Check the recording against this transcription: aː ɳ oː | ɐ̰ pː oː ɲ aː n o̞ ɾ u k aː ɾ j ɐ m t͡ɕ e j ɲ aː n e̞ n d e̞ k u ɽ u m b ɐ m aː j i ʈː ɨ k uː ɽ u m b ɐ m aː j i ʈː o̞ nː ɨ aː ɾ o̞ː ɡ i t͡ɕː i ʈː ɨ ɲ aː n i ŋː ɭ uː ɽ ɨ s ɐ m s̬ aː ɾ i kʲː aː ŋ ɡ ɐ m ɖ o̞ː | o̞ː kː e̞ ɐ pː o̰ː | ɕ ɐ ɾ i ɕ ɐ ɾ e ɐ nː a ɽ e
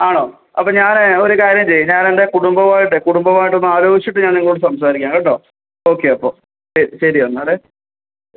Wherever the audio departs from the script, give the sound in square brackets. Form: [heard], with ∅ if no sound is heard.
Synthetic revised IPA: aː ɳ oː | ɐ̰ pː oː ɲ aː n o̞ ɾ u k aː ɾ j ɐ m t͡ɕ e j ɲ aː n e̞ n d e̞ k u ɽ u m b ɐ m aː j i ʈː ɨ k [u] ɽ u m b ɐ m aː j i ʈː o̞ nː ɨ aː ɾ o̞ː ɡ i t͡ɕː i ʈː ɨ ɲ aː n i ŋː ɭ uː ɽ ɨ s ɐ m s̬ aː ɾ i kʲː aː ŋ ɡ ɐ [ɳ] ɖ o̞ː | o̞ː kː e̞ ɐ pː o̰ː | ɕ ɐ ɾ i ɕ ɐ ɾ [i] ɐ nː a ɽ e